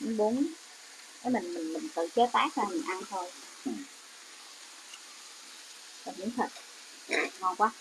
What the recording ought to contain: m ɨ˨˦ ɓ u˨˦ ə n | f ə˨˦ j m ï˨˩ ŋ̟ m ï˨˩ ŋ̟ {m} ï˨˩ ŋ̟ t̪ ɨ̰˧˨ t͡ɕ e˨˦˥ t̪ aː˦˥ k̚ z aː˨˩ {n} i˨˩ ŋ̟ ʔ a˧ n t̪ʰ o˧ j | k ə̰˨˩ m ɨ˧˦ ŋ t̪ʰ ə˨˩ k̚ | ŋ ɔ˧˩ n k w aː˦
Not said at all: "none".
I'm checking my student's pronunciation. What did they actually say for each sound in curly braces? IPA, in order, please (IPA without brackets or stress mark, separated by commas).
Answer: m, m